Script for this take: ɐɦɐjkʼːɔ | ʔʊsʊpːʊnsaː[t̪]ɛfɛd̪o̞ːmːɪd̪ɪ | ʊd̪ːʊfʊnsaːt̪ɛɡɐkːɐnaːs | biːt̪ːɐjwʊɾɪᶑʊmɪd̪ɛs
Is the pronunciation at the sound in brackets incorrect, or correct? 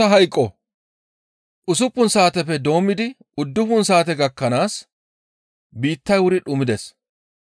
correct